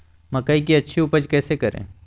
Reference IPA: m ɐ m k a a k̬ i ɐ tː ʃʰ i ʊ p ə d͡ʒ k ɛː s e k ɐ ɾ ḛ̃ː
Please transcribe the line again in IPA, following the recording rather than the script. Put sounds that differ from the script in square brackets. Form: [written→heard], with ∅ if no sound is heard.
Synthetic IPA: m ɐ [m→∅] k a [a→i] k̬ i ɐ tː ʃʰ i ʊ p ə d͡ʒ k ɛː s e k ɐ ɾ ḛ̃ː